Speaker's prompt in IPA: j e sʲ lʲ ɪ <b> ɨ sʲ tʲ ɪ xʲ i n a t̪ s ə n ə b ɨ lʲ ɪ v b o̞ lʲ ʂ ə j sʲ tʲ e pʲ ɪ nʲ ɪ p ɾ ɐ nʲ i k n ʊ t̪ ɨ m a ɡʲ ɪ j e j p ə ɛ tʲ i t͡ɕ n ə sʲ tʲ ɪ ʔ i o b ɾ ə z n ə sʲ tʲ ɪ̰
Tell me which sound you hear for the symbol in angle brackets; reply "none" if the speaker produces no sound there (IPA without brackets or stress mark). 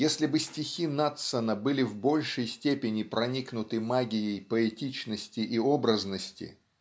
b